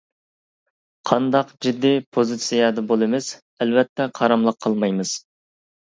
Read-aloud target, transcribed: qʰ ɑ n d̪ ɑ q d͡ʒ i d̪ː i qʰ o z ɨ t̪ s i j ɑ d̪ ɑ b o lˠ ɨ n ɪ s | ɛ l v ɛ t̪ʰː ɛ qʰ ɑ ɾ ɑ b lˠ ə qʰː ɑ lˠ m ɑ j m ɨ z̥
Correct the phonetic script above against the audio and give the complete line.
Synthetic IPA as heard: qʰ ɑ n d̪ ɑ q d͡ʒ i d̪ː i pʰ o z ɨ t̪ s i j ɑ d̪ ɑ b o lˠ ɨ m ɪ s | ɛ l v ɛ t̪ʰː ɛ qʰ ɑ ɾ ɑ m lˠ ə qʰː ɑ lˠ m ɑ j m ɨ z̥